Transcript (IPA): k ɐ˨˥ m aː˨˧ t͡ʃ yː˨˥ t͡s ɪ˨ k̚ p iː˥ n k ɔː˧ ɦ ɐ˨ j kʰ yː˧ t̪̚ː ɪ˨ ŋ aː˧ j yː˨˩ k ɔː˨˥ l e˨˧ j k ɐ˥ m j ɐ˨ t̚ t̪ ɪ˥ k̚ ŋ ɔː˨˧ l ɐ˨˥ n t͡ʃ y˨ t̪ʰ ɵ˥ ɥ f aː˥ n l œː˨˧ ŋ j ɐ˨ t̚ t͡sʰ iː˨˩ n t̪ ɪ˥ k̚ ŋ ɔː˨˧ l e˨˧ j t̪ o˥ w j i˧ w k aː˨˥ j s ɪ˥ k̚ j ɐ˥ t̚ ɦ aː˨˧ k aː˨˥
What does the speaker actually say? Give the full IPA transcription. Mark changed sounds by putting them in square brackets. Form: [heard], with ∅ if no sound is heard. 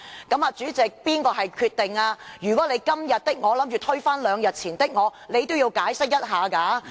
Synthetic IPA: k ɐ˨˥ m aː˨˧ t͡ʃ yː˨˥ t͡s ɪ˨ k̚ p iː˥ n k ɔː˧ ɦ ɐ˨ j kʰ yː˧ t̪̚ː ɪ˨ ŋ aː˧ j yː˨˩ k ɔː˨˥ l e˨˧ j k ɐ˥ m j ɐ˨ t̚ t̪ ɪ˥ k̚ ŋ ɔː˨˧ l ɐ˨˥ [m] t͡ʃ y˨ t̪ʰ ɵ˥ ɥ f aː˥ n l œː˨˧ ŋ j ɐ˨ t̚ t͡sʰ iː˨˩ n t̪ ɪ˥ k̚ ŋ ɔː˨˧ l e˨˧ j t̪ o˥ w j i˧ w k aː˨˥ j s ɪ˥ k̚ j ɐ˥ t̚ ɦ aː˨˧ k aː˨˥